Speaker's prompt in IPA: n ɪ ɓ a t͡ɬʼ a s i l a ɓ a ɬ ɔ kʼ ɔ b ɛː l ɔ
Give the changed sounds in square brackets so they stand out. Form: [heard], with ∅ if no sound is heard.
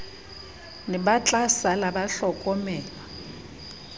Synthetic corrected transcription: n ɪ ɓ a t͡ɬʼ a s [a] l a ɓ a ɬ ɔ kʼ ɔ [m] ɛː l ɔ